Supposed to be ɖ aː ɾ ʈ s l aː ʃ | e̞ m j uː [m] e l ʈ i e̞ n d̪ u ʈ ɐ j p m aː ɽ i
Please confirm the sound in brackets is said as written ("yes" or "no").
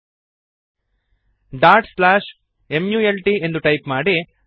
no